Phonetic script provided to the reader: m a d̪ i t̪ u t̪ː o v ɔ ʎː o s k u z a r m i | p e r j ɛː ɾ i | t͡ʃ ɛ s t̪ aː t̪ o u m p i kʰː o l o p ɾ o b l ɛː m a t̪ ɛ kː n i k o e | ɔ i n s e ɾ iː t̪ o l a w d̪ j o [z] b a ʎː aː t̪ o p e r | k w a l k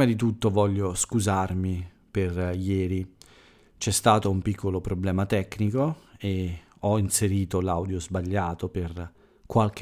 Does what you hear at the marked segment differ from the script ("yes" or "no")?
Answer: no